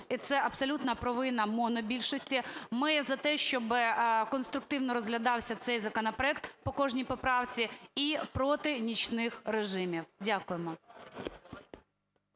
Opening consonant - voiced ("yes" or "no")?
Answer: no